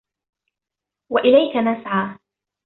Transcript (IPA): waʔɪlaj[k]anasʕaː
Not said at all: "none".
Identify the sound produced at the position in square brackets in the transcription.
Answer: k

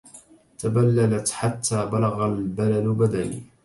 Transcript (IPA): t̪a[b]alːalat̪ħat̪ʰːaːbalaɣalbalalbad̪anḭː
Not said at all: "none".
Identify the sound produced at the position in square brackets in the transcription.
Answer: b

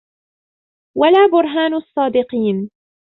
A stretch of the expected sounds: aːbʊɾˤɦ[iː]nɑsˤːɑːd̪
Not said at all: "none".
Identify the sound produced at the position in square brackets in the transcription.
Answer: aː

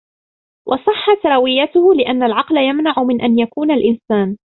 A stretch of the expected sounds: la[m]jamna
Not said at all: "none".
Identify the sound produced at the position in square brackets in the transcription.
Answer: none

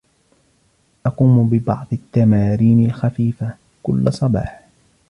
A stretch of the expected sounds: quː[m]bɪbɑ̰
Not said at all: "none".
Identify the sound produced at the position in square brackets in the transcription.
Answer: m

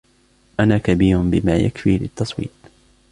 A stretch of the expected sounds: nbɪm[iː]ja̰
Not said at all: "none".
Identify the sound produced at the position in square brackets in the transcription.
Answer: aː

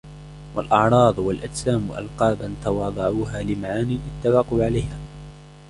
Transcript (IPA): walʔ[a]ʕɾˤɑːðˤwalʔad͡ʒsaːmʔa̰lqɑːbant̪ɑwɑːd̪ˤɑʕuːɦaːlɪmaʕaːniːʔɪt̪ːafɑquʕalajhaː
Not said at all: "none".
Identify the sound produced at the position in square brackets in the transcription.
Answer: ɑ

